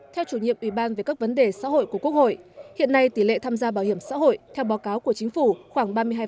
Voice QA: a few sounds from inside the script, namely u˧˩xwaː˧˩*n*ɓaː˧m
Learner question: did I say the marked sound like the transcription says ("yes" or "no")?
no